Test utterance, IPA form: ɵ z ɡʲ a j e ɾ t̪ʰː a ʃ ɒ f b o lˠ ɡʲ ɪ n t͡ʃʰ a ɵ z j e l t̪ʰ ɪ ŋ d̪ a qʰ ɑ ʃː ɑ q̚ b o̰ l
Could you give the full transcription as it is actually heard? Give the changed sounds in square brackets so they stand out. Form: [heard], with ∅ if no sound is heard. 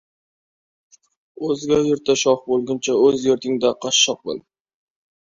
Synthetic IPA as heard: ɵ z ɡʲ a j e ɾ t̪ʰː a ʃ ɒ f b o lˠ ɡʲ ɪ n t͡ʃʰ a ɵ z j e [ɾ] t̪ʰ ɪ ŋ d̪ a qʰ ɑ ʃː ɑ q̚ b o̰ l